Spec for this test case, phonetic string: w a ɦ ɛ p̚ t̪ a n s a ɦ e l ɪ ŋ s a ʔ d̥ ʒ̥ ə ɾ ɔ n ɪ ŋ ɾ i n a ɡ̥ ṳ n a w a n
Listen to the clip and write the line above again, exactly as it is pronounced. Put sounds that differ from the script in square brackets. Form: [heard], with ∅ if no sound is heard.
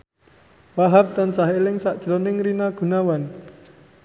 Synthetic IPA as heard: w a ɦ [a] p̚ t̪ a n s a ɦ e l ɪ ŋ s a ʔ d̥ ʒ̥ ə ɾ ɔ n ɪ ŋ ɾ i n a ɡ̥ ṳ n a w a n